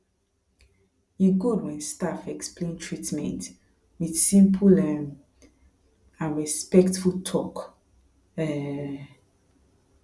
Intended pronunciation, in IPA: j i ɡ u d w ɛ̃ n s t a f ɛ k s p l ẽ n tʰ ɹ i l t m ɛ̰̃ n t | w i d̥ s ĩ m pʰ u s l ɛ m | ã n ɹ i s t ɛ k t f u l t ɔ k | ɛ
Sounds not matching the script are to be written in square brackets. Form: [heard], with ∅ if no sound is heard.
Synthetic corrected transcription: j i ɡ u d w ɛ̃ n s t a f ɛ k s p l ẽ n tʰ ɹ i [∅] t m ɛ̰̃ n t | w i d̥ s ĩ m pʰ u [∅] l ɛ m | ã n ɹ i s [p] ɛ k t f u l [tʰ] ɔ k | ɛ